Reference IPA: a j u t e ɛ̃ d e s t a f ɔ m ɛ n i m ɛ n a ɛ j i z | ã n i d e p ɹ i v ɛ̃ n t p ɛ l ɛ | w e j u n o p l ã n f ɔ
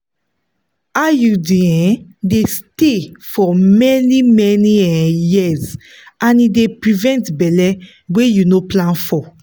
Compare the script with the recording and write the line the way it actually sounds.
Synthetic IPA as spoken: a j u d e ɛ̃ d e s t e f ɔ m ɛ n i m ɛ n i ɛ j i z | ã n i d e p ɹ i v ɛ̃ n t b ɛ l ɛ | w e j u n o p l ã n f ɔ